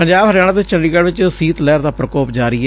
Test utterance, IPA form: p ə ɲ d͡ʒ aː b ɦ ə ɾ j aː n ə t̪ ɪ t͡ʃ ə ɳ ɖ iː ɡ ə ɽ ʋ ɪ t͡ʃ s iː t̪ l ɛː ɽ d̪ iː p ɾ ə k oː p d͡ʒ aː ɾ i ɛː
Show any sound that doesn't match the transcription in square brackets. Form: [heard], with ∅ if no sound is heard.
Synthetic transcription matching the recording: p ə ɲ d͡ʒ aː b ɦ ə ɾ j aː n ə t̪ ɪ t͡ʃ ə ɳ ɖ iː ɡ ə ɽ ʋ ɪ t͡ʃ s iː t̪ l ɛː [ɾ] d̪ [aː] p ɾ ə k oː p d͡ʒ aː ɾ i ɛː